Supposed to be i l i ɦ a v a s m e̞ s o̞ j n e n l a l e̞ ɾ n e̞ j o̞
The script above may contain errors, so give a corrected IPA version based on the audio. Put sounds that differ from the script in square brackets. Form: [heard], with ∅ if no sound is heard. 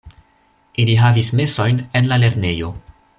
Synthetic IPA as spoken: i l i ɦ a v [i] s m e̞ s o̞ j n e n l a l e̞ ɾ n e̞ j o̞